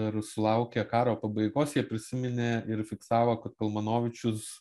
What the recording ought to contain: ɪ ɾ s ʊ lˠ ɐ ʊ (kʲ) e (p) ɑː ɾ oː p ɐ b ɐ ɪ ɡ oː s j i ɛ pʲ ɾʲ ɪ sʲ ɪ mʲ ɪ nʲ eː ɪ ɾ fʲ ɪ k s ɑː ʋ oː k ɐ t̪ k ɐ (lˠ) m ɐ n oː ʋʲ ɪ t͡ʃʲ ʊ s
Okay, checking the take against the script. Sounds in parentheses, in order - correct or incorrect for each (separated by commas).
correct, incorrect, correct